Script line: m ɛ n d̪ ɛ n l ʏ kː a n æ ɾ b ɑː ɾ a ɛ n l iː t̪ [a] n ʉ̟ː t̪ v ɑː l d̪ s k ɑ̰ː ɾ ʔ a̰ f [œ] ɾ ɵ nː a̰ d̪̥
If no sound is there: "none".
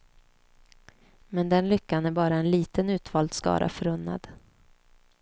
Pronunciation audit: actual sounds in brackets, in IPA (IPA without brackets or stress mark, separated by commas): ə, œ